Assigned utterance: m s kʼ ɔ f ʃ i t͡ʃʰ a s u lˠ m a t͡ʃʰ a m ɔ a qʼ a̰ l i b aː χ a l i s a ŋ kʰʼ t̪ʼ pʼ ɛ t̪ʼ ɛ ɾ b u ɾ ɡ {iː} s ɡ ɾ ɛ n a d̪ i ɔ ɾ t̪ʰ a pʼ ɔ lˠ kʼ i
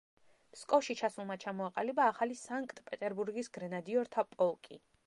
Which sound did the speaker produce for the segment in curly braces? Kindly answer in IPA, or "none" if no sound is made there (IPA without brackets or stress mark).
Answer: i